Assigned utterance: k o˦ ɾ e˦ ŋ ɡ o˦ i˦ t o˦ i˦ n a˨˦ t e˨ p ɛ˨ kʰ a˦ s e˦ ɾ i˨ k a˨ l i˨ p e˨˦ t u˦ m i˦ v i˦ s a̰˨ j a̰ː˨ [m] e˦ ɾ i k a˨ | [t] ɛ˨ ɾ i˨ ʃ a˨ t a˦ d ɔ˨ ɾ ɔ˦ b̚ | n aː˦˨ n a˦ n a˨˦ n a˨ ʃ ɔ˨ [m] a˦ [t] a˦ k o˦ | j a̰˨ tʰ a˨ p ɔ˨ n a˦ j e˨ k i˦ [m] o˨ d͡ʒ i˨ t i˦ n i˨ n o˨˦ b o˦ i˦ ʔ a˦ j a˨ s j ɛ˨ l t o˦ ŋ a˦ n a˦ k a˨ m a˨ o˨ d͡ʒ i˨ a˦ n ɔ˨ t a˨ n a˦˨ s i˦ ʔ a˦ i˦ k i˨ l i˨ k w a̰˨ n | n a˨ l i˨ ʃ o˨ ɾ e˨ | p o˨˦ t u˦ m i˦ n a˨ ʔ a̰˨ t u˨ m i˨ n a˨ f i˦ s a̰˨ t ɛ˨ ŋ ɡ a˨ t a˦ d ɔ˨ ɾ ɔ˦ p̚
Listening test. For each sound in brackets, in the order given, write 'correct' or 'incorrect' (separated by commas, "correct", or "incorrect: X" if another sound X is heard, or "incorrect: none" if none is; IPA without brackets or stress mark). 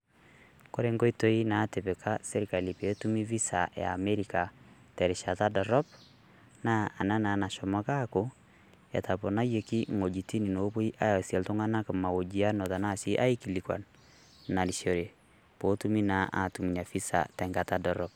correct, correct, correct, incorrect: k, incorrect: ŋ